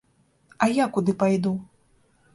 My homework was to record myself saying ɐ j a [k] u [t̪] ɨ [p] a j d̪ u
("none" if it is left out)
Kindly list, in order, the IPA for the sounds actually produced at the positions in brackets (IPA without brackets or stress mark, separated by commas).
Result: k, d̪, p